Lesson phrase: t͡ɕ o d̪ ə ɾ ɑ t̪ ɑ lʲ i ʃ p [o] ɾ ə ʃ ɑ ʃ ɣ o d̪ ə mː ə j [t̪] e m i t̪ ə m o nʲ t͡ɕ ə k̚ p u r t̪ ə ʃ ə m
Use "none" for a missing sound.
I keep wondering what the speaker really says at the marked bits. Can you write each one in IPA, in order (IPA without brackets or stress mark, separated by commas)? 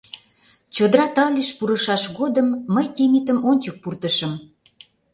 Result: u, t̪